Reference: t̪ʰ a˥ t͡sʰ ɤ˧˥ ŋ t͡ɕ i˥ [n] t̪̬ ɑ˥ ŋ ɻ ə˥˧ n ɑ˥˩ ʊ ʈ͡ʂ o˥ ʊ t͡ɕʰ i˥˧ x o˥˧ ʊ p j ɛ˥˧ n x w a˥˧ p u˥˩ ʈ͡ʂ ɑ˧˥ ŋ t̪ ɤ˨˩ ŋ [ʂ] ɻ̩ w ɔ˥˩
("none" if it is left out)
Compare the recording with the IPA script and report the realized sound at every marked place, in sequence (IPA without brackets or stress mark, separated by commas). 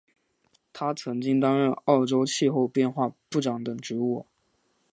ŋ, ʈ͡ʂ